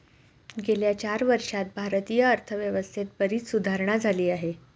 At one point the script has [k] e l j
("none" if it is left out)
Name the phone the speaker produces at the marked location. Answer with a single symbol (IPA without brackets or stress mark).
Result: ɡ